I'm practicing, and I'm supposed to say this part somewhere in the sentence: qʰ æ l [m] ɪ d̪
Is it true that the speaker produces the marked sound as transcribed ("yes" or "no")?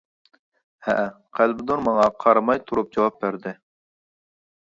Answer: no